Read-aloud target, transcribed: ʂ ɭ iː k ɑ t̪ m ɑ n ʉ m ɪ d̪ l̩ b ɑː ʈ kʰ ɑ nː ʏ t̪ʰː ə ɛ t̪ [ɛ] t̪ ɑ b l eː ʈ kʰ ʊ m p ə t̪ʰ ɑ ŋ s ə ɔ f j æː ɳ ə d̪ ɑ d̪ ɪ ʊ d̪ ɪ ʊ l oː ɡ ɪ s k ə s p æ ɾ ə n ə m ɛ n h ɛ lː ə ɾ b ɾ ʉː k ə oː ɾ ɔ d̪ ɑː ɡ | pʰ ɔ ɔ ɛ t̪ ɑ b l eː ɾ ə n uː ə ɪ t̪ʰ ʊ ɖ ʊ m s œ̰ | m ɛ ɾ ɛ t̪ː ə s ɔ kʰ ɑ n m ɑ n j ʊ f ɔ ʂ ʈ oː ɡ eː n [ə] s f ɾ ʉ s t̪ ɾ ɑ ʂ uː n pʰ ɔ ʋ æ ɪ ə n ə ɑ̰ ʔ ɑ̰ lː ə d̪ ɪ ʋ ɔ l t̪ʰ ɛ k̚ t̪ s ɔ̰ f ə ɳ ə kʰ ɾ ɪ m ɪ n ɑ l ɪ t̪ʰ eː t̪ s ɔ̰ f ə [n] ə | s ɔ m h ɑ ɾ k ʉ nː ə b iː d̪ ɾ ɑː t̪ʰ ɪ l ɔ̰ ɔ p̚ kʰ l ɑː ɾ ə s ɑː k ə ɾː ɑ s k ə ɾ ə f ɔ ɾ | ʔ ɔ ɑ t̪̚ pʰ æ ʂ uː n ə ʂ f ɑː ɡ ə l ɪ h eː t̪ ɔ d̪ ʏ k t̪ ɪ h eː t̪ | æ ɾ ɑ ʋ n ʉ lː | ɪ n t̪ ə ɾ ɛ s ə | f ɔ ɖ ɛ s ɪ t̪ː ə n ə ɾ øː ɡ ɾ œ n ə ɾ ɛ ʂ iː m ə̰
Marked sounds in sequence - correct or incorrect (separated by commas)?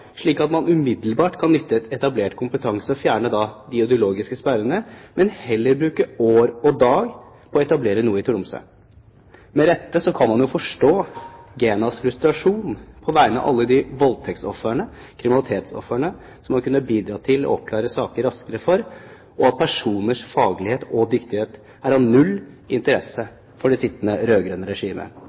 correct, incorrect, incorrect